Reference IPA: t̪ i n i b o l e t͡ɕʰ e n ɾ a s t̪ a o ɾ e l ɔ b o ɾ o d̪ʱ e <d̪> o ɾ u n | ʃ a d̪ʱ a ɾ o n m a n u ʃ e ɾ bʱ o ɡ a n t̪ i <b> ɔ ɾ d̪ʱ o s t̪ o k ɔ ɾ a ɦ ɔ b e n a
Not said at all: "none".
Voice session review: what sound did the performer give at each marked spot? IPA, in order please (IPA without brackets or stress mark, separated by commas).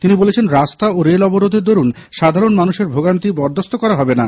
d̪, b